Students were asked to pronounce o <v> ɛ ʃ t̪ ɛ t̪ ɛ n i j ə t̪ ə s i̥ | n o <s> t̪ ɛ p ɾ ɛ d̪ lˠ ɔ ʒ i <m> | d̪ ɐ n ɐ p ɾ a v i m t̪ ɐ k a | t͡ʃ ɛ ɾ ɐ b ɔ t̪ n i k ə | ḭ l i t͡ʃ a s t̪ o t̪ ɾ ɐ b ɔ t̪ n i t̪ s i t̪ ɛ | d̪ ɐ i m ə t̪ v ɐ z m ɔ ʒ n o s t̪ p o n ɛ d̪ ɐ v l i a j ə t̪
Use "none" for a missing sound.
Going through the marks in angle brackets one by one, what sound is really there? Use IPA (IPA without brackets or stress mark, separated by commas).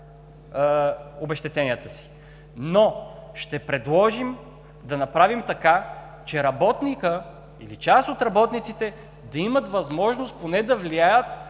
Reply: b, ʃ, m